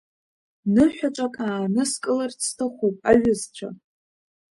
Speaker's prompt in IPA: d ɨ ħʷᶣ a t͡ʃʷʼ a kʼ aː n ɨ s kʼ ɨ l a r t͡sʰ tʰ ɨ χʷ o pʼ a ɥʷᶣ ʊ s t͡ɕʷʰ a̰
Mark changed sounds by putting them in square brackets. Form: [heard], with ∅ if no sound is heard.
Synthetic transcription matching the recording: [n] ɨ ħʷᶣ a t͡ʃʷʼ a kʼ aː n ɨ s kʼ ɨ l a r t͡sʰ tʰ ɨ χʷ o pʼ a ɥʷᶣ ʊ [z] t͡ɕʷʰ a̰